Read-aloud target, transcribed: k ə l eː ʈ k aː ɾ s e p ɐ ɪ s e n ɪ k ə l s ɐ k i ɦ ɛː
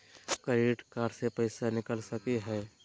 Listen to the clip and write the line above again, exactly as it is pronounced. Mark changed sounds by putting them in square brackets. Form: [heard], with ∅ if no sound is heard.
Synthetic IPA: k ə [ɾ] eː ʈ k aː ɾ s e p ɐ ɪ s [a] n ɪ k ə l s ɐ k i ɦ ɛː